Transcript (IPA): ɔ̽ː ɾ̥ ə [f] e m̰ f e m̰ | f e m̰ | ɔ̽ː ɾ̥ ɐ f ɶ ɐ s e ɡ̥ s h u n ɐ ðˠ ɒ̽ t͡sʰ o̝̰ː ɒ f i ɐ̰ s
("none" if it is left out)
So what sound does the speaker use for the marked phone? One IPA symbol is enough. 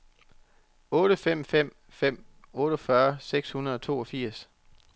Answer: f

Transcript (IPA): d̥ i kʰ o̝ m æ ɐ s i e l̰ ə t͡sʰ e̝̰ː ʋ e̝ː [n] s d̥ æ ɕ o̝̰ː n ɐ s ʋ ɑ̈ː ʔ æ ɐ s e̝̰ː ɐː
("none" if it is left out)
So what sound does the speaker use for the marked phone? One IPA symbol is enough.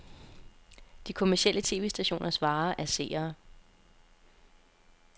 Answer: none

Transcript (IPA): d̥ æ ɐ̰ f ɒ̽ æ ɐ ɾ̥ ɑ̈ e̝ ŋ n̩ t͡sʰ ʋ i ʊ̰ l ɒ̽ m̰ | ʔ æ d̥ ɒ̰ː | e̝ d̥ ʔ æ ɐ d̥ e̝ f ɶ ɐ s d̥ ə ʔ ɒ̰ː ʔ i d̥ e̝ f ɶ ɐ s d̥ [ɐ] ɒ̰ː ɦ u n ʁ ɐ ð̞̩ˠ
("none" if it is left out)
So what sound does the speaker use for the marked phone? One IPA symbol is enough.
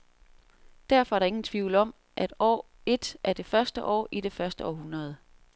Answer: ə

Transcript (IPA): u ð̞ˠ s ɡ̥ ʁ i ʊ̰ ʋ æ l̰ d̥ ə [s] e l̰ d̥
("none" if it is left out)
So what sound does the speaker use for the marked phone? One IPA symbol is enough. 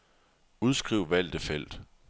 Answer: f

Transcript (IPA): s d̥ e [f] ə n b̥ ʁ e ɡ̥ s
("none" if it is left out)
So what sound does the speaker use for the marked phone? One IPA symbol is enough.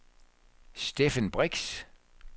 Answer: f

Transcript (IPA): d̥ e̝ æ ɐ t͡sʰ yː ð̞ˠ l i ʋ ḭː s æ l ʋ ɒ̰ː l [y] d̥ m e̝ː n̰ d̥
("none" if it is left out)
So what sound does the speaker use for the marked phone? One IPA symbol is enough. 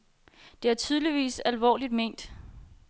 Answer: i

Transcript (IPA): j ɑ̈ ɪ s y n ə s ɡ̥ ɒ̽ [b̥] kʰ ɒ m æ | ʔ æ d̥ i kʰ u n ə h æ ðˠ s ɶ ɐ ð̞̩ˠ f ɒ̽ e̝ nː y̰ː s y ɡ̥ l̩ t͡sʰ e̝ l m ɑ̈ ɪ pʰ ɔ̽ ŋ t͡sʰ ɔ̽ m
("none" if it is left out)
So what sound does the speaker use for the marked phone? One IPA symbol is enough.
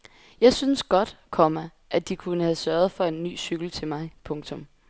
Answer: d̥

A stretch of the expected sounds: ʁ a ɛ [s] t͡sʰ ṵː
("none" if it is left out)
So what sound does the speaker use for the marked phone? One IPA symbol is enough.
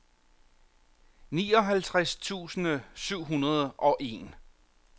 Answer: s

